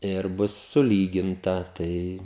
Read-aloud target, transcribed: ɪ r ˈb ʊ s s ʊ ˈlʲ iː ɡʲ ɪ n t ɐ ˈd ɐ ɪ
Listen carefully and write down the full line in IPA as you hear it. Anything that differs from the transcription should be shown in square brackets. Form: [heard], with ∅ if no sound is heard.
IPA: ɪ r ˈb ʊ s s ʊ ˈlʲ iː ɡʲ ɪ n t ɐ [ˈt] ɐ ɪ